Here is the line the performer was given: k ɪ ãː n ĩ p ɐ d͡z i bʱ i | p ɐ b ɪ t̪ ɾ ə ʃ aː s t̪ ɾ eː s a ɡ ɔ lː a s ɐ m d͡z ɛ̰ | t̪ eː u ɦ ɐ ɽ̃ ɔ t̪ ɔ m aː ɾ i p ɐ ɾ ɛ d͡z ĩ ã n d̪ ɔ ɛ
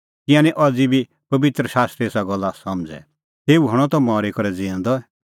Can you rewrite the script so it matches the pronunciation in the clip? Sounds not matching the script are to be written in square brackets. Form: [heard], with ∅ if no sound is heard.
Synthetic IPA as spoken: k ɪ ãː n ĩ [ʔ] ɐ d͡z i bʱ i | p ɐ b ɪ t̪ ɾ ə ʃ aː s t̪ ɾ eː s a ɡ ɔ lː a s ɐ m d͡z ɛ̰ | t̪ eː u ɦ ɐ ɽ̃ ɔ t̪ ɔ m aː ɾ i [k] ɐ ɾ ɛ d͡z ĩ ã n d̪ ɔ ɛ